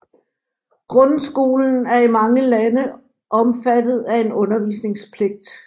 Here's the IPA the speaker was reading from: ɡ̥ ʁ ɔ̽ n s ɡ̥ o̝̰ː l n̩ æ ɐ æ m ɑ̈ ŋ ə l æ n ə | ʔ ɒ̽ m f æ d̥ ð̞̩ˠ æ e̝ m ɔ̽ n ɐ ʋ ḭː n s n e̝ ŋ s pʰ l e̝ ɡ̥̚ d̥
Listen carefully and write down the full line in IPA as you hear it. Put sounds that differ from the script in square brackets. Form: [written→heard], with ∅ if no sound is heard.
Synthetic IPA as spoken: ɡ̥ ʁ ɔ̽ n s ɡ̥ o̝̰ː l n̩ æ ɐ [æ→i] m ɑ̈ ŋ ə l æ n ə | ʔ ɒ̽ m f æ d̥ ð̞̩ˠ æ e̝ [m→n] ɔ̽ n ɐ ʋ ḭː [n→∅] s n e̝ ŋ s pʰ l e̝ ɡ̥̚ d̥